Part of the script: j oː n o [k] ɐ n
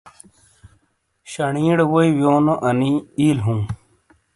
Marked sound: incorrect: ʔ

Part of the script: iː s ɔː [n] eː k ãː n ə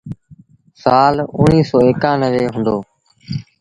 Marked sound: incorrect: none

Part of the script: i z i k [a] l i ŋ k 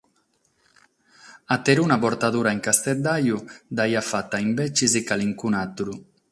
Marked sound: correct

